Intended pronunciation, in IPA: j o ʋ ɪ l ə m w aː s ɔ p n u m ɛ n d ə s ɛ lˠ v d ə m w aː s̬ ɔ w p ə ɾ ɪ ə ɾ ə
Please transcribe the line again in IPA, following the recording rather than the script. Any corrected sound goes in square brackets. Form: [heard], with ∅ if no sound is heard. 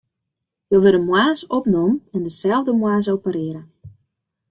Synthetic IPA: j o ʋ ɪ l ə m w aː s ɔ p n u m ɛ n d ə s ɛ lˠ v d ə m w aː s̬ [o] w p ə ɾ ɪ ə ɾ ə